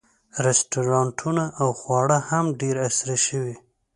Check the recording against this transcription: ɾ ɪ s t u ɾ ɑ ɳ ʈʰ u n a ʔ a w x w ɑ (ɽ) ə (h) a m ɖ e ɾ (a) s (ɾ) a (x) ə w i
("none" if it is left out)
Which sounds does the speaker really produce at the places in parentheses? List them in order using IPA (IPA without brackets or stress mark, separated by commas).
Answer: ɽ, h, a, ɾ, ʃ